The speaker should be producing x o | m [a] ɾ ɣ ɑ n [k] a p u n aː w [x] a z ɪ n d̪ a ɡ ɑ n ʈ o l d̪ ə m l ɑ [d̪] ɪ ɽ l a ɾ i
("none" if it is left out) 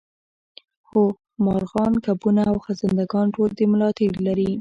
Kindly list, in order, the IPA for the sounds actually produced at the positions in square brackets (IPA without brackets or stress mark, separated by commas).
ɑ, k, x, t̪